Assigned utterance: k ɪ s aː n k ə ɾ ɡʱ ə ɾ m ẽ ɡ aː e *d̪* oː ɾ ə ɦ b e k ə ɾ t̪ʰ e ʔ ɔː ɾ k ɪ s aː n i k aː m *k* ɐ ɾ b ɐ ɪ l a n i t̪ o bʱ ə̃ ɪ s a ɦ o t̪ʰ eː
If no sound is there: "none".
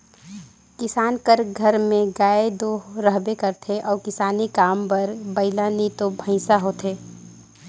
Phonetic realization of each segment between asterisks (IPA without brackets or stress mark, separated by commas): d̪, p